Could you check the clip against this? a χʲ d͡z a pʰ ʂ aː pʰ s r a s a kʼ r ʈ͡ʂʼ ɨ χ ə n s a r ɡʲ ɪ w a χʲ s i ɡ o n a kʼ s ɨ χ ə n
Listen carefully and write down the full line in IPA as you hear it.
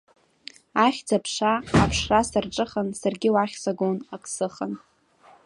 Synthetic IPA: a χʲ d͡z a pʰ ʂ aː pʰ ʂ r a s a r ʈ͡ʂʼ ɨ χ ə n s a r ɡʲ ɪ w a χʲ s a ɡ o n a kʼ s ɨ χ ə n